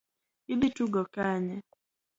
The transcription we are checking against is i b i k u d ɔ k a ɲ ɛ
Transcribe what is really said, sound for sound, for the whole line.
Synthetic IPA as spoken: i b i t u ɡ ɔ k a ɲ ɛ